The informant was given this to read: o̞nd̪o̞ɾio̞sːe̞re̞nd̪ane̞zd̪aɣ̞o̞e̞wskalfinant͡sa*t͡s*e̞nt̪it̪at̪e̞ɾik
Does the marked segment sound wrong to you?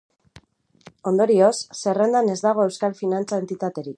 yes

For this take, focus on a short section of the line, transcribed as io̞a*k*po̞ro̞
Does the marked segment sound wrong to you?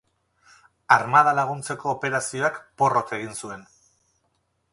no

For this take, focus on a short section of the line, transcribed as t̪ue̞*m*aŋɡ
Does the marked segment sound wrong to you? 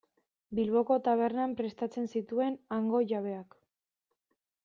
yes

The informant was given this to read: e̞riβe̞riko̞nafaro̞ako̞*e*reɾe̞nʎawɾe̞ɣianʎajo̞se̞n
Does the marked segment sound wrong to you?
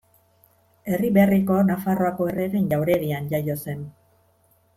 no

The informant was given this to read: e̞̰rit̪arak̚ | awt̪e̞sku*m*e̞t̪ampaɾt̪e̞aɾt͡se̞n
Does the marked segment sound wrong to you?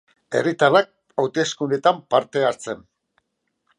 yes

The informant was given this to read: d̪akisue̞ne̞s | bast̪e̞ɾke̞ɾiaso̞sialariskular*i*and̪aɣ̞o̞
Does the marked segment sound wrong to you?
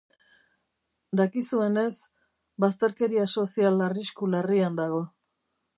no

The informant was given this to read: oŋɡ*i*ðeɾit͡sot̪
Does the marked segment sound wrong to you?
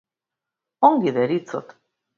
no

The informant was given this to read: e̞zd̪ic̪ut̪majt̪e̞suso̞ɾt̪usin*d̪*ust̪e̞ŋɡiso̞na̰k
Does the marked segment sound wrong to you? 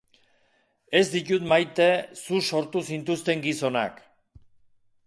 yes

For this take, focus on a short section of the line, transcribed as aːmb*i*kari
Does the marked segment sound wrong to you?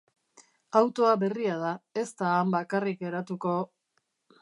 yes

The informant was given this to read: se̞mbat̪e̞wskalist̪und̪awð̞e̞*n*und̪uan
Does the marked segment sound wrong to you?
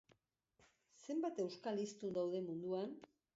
yes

